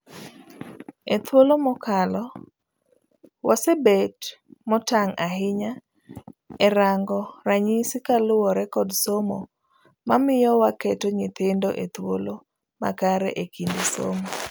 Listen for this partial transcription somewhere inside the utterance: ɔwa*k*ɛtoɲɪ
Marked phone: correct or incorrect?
correct